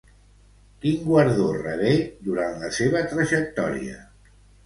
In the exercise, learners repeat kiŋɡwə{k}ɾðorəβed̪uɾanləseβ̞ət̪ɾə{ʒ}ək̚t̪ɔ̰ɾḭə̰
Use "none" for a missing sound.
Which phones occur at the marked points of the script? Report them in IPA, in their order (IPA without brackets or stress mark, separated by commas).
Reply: none, ʒ